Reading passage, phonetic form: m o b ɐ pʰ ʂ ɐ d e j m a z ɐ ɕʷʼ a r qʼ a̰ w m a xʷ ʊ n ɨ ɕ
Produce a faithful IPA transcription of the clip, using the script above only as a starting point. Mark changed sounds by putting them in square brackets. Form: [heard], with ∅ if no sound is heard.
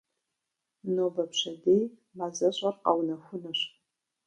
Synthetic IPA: [n] o b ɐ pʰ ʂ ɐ d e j m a z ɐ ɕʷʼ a r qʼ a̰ w [n] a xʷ ʊ n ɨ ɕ

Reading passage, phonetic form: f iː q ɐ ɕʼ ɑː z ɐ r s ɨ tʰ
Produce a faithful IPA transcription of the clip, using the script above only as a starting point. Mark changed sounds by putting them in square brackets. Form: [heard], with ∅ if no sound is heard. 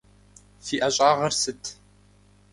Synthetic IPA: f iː [ʔ] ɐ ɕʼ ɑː [ʁ] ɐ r s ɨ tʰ

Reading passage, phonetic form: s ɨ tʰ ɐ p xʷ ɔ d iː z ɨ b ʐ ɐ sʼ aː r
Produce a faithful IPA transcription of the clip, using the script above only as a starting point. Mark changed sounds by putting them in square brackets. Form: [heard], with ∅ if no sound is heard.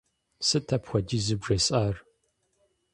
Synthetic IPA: s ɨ tʰ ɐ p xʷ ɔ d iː z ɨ b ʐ ɐ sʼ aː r

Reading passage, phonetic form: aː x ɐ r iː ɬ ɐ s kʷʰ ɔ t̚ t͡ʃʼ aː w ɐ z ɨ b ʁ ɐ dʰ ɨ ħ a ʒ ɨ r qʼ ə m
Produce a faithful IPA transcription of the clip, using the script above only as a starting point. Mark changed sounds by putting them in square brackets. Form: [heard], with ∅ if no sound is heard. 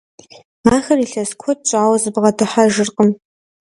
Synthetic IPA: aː x ɐ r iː ɬ ɐ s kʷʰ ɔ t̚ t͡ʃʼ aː w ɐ z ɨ b ʁ ɐ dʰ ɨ ħ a ʒ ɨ r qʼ ə m

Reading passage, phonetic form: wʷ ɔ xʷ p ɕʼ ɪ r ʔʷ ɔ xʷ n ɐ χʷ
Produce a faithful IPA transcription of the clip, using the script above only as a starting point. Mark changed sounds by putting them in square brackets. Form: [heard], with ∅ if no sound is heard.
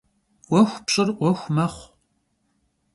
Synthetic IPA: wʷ ɔ xʷ p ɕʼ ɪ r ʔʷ ɔ xʷ [m] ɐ χʷ

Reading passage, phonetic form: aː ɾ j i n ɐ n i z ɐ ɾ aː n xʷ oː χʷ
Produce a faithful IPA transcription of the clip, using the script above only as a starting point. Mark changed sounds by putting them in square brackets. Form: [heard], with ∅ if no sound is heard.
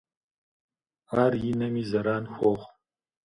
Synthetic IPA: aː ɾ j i n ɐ [m] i z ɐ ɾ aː n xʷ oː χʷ

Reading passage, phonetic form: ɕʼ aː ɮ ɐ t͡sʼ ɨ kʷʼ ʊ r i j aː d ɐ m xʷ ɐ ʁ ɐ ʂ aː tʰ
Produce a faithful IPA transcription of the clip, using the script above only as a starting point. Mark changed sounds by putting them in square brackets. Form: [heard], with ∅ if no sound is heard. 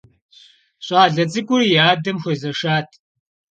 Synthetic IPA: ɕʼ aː ɮ ɐ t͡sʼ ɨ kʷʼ ʊ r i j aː d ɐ m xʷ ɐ [z] ɐ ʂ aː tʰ

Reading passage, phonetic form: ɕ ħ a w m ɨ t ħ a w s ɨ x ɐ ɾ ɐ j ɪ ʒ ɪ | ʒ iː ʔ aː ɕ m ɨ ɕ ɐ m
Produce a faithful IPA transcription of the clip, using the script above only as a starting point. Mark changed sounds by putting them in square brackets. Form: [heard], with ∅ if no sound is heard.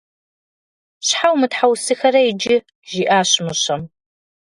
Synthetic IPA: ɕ ħ a w m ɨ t ħ a w s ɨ x ɐ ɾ ɐ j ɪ [d͡ʒ] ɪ | ʒ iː ʔ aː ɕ m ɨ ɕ ɐ m

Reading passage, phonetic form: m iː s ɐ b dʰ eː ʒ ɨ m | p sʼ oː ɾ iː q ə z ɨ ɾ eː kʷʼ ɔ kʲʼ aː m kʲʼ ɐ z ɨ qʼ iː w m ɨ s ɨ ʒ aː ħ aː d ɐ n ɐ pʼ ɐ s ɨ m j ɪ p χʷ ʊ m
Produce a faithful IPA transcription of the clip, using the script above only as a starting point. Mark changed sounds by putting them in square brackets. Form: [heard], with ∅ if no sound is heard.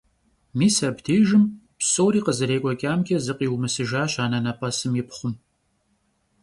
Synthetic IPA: m iː s ɐ b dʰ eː ʒ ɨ m | p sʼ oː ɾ iː q ə z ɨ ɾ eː kʷʼ ɔ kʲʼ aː m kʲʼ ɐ z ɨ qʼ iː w m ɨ s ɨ ʒ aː [ɕ] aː [n] ɐ n ɐ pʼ ɐ s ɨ m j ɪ p χʷ ʊ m

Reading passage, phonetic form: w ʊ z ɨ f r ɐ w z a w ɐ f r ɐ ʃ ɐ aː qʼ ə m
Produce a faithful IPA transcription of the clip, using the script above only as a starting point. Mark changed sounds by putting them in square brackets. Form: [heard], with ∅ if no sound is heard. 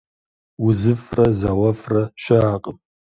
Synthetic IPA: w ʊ z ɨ f r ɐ [∅] z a w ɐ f r ɐ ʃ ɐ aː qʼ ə m

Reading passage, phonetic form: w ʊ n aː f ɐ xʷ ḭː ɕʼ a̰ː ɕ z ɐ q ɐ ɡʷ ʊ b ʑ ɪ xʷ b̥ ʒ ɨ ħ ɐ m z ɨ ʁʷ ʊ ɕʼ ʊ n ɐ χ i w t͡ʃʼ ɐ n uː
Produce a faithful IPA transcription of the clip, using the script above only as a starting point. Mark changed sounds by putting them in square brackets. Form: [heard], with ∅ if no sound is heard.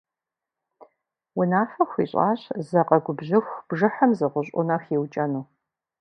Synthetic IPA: w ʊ n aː f ɐ xʷ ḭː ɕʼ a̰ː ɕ z ɐ q ɐ ɡʷ ʊ b ʑ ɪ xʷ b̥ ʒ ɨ ħ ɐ m z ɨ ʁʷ ʊ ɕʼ ʊ n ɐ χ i w t͡ʃʼ ɐ n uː

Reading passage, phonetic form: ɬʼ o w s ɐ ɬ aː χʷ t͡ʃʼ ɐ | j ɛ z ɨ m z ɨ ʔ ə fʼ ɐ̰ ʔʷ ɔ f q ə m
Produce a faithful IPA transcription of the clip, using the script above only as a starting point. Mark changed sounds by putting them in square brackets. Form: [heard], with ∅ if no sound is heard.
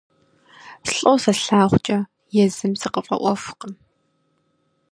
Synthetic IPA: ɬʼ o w s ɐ ɬ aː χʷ t͡ʃʼ ɐ | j ɛ z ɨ m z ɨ [q] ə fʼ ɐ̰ ʔʷ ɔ f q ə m

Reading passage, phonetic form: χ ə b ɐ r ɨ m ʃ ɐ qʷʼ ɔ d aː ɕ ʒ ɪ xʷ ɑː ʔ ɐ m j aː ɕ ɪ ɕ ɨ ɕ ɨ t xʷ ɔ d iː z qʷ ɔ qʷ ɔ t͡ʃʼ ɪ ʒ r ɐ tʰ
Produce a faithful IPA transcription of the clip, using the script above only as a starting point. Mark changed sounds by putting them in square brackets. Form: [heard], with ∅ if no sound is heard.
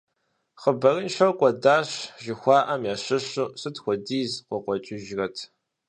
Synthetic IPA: χ ə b ɐ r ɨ [n] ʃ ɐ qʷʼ ɔ d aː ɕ ʒ ɪ xʷ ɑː ʔ ɐ m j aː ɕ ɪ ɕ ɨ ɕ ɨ t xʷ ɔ d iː z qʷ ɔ qʷ ɔ t͡ʃʼ ɪ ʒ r ɐ tʰ

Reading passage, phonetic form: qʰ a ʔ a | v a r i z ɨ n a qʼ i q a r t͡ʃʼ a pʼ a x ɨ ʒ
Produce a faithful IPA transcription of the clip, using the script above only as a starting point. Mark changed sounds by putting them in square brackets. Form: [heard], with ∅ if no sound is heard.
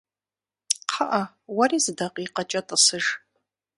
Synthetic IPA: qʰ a ʔ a | [w] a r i z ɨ [d] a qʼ i q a [∅] t͡ʃʼ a [tʼ] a [s] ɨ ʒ

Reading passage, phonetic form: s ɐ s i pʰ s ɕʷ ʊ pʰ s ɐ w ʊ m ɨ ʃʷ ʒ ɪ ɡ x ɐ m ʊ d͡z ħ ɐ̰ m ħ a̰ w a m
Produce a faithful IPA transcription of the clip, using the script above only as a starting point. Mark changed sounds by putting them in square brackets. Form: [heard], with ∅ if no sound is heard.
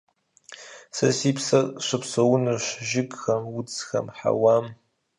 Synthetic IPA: s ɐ s i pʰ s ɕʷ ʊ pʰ s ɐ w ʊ [n] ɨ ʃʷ ʒ ɪ ɡ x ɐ m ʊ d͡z [x] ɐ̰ m ħ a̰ w a m

